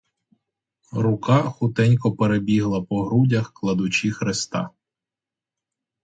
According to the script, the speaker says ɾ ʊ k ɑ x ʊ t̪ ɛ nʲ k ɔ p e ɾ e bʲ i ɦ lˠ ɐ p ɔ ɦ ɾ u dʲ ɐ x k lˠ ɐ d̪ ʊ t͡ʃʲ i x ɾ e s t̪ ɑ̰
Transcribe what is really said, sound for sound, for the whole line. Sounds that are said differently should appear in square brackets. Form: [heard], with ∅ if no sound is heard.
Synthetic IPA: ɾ ʊ k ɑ x ʊ t̪ ɛ nʲ k ɔ p e ɾ e bʲ i ɦ lˠ ɐ p ɔ ɦ ɾ u dʲ ɐ x k lˠ ɐ d̪ ʊ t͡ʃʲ i x ɾ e s t̪ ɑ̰